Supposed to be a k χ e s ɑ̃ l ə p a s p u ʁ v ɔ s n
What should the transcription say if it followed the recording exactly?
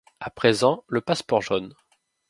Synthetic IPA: a p χ e z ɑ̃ l ə p a s p ɔ ʁ ʒ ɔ n